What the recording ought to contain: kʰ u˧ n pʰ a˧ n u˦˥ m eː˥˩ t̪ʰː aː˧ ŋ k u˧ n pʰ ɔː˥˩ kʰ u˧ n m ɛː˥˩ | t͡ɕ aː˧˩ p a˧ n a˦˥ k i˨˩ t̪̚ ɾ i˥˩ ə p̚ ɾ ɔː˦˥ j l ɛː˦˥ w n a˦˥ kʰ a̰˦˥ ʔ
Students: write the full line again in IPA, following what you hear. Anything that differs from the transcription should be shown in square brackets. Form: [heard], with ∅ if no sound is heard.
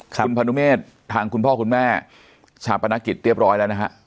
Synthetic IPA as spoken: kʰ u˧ n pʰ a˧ n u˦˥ m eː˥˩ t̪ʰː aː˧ ŋ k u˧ n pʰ ɔː˥˩ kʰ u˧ n m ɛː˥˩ | [t͡ɕʰ] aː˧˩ p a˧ n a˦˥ k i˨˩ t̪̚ ɾ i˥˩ ə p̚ ɾ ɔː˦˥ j l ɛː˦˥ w n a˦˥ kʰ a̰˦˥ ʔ